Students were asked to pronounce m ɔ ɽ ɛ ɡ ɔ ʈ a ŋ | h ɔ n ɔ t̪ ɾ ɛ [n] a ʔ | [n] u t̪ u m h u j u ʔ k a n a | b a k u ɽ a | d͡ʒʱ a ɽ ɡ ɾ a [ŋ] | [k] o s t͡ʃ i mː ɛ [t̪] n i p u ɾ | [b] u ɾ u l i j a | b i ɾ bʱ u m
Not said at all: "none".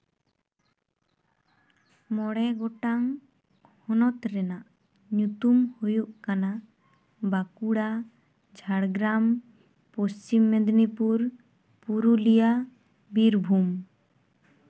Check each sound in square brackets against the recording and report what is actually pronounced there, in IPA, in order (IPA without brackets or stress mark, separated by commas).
n, ɲ, m, p, d̪, p